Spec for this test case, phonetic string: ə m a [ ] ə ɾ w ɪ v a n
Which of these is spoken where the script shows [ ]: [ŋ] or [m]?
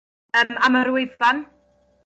m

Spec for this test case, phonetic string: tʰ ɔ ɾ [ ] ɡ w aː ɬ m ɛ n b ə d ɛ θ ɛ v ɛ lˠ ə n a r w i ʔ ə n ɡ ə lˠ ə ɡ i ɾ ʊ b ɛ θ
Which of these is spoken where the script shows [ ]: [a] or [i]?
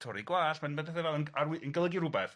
i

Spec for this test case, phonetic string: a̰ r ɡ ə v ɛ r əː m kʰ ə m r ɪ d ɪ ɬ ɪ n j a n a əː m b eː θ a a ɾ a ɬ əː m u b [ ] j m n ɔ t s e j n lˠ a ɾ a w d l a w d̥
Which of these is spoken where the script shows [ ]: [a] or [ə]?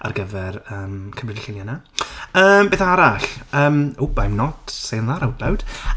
a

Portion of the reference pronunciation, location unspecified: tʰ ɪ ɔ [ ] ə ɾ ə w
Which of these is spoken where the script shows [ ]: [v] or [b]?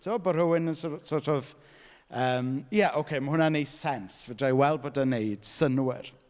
b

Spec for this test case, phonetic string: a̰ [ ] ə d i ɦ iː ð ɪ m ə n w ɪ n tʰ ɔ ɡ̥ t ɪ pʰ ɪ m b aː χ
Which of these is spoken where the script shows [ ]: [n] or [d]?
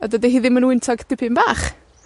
d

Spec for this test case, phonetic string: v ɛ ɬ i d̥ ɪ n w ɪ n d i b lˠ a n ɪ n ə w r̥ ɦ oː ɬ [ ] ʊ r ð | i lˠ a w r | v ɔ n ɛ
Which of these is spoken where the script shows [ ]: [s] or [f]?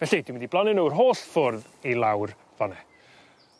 f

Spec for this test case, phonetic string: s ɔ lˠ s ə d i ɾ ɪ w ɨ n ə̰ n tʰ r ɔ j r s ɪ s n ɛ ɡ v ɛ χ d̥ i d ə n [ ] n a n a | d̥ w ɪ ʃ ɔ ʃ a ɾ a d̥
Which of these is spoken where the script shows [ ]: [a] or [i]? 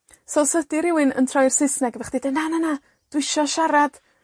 a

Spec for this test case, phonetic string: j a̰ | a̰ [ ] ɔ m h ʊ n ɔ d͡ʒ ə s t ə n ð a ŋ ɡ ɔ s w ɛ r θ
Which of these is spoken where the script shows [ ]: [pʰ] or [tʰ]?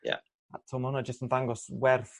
tʰ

